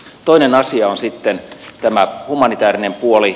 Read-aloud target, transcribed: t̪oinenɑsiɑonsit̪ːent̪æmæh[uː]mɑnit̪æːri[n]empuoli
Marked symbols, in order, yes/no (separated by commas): no, yes